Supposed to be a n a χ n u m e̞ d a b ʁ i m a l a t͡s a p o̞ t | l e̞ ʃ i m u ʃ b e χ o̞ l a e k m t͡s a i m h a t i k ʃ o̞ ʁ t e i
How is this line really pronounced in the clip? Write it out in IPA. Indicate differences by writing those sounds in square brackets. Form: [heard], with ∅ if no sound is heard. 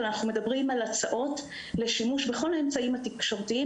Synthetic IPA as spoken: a n a χ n u m e̞ d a b ʁ i m a l a t͡s a [ʔ] o̞ t | l e̞ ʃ i m u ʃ b e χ o̞ l a e [∅] m t͡s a i m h a t i k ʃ o̞ ʁ t [i] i